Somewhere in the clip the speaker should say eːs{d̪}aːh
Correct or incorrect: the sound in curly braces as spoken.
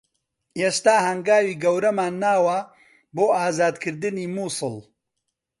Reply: incorrect: t̪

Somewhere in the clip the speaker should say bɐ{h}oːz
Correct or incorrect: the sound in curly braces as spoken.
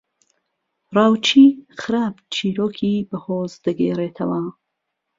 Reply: correct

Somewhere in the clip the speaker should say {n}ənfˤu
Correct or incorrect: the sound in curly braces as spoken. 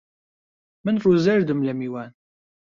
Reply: incorrect: m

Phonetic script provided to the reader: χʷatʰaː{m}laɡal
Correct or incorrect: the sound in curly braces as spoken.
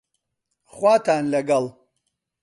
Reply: incorrect: n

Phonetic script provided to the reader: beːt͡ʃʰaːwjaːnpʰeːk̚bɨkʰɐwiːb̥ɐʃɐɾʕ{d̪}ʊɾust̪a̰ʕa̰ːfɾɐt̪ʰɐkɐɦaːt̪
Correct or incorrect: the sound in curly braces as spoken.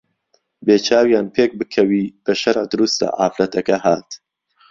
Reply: correct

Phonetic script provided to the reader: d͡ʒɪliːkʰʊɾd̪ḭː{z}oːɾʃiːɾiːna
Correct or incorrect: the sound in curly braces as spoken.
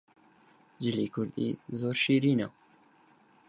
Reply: correct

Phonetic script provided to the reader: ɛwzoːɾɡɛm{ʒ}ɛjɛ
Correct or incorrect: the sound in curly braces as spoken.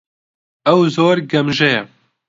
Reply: correct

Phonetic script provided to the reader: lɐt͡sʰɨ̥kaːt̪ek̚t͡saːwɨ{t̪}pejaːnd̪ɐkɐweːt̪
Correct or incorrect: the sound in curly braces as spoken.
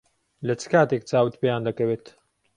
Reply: correct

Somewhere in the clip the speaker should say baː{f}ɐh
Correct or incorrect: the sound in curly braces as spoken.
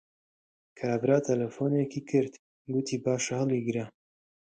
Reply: incorrect: ʃ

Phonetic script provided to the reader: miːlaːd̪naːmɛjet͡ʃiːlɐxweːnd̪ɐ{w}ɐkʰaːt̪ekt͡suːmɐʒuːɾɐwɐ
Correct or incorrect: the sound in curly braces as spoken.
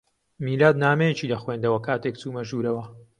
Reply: correct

